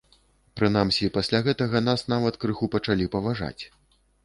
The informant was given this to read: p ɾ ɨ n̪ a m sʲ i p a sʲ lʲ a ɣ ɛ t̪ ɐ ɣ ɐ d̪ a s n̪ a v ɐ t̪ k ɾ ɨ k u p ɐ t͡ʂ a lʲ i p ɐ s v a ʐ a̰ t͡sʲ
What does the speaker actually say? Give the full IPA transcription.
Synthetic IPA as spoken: p ɾ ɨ n̪ a m sʲ i p a sʲ lʲ a ɣ ɛ t̪ ɐ ɣ ɐ n̪ a s n̪ a v ɐ t̪ k ɾ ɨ x u p ɐ t͡ʂ a lʲ i p ɐ v a ʐ a̰ t͡sʲ